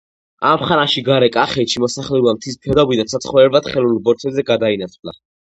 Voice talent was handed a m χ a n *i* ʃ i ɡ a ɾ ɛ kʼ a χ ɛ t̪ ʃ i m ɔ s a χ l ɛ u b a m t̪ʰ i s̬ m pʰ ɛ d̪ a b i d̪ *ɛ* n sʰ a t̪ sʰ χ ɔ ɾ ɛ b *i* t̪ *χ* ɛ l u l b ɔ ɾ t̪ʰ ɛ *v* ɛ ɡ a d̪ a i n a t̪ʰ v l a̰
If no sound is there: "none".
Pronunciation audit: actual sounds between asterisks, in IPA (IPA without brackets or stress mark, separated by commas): a, a, a, χ, z